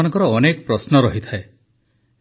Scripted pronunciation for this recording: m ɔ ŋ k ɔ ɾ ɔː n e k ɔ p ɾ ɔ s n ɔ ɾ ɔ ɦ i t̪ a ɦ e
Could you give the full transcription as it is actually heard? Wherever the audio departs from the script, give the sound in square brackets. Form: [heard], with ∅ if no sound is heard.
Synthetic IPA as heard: [n] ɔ ŋ k ɔ ɾ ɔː n e k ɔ p ɾ ɔ s n ɔ ɾ ɔ ɦ i [t̪ʰ] a [∅] e

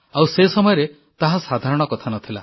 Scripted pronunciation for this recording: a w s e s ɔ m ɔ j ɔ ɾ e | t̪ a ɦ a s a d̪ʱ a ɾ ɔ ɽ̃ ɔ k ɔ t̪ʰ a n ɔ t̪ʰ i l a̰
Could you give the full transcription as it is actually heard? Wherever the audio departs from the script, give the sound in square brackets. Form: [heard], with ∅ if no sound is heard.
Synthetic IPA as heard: a w s e s ɔ m ɔ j ɔ ɾ e | t̪ a ɦ a s a d̪ʱ a ɾ ɔ ɽ̃ ɔ k ɔ t̪ʰ a n ɔ t̪ʰ i l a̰

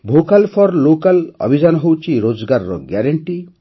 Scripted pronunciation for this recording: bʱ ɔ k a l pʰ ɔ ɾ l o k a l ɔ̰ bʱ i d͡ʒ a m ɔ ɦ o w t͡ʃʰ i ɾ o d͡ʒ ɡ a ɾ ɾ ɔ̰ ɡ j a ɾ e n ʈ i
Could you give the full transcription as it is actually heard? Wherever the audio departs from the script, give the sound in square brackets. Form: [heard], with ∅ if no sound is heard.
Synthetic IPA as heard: bʱ [o] k a l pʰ ɔ ɾ l o k a l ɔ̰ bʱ i d͡ʒ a [n] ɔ ɦ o w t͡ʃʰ i ɾ o d͡ʒ ɡ a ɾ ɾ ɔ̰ ɡ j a ɾ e [ɳ] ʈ i

